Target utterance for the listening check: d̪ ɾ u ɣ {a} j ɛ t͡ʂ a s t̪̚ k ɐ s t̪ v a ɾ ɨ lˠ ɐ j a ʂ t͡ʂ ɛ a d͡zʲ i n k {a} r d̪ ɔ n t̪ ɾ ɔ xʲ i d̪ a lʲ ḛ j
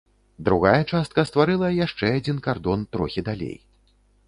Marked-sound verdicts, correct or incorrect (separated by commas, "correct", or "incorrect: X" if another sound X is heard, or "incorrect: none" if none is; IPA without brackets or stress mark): correct, correct